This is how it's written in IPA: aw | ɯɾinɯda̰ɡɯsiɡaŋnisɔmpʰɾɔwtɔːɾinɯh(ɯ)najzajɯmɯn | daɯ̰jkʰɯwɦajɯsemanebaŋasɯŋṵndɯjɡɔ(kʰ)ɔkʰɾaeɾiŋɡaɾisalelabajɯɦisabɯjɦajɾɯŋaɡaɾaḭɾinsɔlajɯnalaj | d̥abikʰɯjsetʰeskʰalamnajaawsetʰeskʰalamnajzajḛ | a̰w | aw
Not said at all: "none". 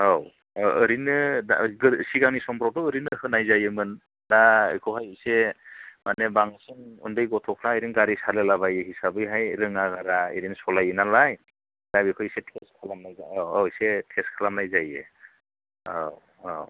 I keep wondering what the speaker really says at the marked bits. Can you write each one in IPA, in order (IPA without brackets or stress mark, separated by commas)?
ɯ, tʰ